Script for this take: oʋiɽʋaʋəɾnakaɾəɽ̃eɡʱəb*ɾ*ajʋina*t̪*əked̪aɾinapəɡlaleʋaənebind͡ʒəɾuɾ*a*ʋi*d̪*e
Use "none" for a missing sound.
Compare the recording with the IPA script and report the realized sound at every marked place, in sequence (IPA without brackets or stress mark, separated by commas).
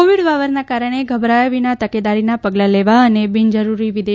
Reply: ɾ, t̪, i, d̪